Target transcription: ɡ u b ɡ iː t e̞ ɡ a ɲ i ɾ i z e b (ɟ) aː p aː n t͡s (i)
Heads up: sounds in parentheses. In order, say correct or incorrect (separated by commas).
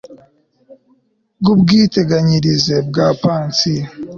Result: incorrect, correct